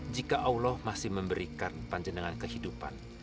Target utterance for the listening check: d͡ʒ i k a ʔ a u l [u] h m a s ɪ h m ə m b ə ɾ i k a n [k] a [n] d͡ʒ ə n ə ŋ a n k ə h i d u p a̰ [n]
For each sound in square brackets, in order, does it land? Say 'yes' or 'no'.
no, no, no, yes

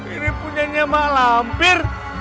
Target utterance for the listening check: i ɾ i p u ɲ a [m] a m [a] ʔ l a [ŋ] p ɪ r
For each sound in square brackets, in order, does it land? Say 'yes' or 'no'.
no, yes, no

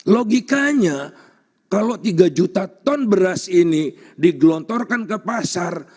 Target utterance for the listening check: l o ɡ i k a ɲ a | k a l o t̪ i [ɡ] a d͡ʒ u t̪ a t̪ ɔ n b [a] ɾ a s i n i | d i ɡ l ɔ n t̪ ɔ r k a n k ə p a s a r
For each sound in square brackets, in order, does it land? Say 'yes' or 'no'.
yes, no

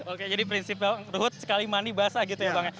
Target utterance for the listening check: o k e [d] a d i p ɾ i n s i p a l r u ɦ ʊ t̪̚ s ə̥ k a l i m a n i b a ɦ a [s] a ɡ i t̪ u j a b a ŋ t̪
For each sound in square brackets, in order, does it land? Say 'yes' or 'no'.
no, yes

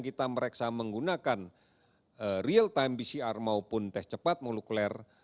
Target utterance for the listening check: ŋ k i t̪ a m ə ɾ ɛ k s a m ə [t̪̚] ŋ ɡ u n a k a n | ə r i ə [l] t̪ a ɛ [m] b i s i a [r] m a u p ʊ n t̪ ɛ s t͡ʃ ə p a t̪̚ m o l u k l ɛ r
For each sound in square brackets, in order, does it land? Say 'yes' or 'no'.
no, yes, yes, yes

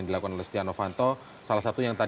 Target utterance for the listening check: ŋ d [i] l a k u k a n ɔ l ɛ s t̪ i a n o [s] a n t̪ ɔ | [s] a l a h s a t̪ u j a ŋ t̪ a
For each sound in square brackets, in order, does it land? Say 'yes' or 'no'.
yes, no, yes

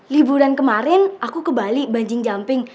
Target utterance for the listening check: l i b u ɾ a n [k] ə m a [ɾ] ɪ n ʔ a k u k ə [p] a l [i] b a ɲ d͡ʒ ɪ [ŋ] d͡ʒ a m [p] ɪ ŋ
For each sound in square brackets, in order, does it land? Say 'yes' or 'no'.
yes, yes, no, yes, yes, yes

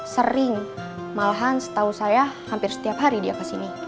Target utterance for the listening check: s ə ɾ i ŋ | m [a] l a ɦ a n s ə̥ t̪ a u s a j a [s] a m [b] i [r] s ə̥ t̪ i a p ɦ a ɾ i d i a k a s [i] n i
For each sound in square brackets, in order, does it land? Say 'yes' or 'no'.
yes, no, no, yes, yes

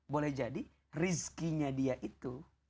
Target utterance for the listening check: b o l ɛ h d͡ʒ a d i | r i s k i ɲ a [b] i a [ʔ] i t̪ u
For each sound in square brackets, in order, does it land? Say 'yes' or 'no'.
no, yes

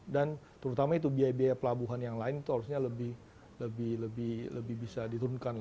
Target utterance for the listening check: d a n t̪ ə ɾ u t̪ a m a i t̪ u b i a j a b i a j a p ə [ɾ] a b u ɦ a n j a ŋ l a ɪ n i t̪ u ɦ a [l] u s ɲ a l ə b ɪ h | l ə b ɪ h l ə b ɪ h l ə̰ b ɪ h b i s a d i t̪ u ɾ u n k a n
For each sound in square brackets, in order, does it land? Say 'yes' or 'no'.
no, no

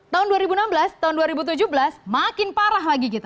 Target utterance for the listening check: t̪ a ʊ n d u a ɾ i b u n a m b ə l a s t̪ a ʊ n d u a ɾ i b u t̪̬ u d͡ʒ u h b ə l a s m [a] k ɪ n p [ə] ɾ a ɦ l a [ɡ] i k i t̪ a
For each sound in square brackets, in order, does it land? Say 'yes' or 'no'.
yes, no, yes

